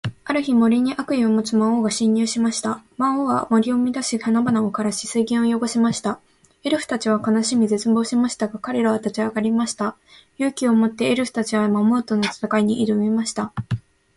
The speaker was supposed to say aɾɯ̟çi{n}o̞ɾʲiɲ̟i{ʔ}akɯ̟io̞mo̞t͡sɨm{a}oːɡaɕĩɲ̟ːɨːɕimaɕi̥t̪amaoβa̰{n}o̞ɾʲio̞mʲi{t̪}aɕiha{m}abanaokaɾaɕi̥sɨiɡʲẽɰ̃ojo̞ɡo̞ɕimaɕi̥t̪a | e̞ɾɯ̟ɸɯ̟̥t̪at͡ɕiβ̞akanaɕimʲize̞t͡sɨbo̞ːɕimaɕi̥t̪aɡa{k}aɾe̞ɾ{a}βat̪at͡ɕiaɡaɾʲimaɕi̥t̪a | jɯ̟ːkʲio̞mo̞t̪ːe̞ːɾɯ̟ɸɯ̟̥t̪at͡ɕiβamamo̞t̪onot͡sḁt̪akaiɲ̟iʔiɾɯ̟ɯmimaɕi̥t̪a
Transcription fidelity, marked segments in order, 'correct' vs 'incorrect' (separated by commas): incorrect, correct, correct, incorrect, incorrect, incorrect, correct, correct